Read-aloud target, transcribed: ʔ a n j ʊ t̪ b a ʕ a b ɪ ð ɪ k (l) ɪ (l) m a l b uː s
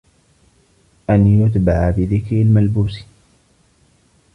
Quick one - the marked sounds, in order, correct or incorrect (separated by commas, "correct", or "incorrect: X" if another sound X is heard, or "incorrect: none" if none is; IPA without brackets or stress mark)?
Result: incorrect: ɾ, correct